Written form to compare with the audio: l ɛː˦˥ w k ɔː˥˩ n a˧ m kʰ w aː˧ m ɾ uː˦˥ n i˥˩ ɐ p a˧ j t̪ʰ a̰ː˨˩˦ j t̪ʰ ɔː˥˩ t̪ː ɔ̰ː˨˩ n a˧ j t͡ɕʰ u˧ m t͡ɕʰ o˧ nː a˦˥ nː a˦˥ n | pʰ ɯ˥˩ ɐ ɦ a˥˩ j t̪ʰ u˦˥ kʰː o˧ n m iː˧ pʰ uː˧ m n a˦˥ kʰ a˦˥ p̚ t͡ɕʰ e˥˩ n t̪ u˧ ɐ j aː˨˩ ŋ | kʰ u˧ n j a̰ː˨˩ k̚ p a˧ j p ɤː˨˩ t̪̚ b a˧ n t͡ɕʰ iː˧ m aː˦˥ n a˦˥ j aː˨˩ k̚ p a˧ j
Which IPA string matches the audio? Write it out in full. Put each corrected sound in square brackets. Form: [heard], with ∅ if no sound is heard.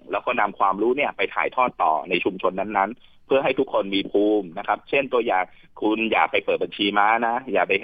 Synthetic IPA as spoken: l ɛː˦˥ w k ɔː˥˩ n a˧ m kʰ w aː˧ m ɾ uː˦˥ n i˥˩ ɐ p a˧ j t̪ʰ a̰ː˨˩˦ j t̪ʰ ɔː˥˩ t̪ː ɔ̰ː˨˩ n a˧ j t͡ɕʰ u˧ m t͡ɕʰ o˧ nː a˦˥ nː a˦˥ n | pʰ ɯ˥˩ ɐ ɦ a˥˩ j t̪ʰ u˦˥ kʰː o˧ n m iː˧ pʰ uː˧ m n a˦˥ kʰ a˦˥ p̚ t͡ɕʰ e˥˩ n t̪ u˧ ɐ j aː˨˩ ŋ | kʰ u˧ n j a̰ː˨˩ k̚ p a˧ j p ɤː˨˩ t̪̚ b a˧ n t͡ɕʰ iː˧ m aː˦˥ n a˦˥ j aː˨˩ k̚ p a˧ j